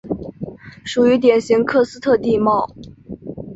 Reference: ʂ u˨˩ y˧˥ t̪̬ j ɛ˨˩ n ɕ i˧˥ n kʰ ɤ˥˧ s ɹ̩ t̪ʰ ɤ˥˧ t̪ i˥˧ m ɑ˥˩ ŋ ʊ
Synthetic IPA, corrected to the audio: ʂ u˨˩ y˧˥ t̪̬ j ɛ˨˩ n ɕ i˧˥ ŋ kʰ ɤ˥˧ s ɹ̩ t̪ʰ ɤ˥˧ t̪ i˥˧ m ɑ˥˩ ʊ